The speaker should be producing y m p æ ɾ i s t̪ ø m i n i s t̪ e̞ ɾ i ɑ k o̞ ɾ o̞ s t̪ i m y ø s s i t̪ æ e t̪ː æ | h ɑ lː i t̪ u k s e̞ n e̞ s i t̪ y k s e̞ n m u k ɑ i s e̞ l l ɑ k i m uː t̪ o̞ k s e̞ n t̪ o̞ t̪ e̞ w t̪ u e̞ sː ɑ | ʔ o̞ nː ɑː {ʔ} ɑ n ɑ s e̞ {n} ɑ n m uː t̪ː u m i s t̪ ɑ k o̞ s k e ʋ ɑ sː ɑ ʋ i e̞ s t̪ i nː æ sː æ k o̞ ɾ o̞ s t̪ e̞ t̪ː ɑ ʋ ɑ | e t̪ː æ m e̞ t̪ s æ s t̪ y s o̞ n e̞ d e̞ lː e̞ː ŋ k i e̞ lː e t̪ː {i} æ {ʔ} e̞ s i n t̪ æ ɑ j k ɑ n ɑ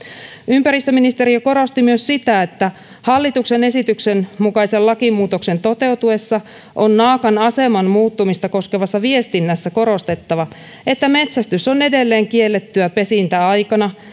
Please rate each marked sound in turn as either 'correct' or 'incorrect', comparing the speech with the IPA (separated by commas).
incorrect, incorrect, incorrect, incorrect